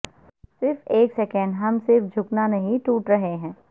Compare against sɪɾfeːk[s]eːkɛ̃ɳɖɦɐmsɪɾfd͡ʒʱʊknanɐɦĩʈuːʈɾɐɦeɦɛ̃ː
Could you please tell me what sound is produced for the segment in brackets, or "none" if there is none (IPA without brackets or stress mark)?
s